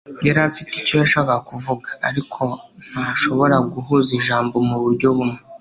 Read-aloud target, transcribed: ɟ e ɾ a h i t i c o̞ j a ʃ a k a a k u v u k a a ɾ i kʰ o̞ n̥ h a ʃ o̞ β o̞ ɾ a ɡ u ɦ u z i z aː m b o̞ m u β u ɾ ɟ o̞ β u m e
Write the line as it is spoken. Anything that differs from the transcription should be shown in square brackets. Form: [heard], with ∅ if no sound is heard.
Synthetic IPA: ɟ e ɾ a [f] i t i c o̞ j a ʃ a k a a k u v u [ɡ] a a ɾ i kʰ o̞ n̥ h a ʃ o̞ β o̞ ɾ a ɡ u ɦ u z i [ʒ] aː m b o̞ m u β u ɾ ɟ o̞ β u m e